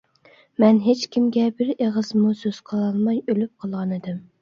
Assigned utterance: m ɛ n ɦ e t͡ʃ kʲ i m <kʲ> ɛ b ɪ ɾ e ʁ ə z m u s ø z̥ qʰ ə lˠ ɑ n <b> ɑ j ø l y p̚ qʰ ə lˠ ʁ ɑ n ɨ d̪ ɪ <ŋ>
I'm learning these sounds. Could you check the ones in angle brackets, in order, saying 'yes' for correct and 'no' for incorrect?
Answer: no, no, no

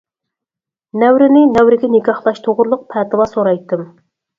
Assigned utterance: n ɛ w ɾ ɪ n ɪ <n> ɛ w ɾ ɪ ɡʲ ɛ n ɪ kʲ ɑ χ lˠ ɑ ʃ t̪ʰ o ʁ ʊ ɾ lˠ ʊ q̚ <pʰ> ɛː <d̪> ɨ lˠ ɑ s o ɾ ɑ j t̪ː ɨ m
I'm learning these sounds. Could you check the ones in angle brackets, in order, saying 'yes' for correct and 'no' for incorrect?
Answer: yes, yes, no

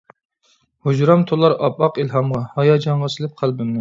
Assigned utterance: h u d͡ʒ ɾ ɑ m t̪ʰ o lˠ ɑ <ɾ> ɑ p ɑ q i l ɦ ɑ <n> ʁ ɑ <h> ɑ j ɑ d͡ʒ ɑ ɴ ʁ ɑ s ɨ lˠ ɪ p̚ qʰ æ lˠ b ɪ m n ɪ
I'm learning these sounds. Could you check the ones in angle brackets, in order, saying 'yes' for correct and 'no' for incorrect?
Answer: yes, no, yes

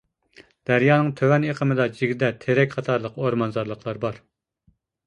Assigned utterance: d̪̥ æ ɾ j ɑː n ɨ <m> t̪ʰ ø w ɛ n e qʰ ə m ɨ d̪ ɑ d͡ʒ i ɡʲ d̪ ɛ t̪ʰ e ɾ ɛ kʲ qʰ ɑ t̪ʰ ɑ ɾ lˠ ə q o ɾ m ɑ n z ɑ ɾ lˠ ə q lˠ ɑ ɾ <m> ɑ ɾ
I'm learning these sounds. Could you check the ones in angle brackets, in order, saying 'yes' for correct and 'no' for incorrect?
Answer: no, no

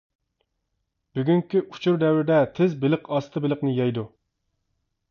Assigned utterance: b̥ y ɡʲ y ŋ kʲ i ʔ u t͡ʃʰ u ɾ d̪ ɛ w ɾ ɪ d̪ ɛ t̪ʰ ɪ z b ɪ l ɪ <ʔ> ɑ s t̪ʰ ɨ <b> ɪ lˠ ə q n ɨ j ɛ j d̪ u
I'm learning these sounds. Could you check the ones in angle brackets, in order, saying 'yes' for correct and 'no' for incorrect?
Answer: no, yes

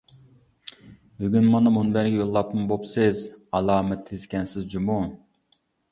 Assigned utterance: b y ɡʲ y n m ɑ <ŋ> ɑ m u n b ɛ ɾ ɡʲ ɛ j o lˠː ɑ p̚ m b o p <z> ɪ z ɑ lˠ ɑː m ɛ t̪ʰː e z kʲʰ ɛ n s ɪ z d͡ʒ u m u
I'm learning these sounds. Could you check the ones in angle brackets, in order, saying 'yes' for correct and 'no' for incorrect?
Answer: no, no

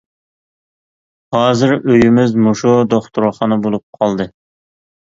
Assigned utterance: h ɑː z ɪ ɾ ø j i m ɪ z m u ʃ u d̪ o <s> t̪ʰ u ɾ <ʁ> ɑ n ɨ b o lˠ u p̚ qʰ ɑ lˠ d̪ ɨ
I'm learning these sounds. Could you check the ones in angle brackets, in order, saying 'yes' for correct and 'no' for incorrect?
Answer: no, no

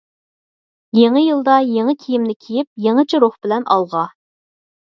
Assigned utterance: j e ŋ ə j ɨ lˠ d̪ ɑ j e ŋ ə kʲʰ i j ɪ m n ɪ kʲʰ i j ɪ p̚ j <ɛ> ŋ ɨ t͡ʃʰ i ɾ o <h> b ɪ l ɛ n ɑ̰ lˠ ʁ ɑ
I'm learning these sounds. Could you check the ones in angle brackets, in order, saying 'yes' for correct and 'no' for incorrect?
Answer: no, no

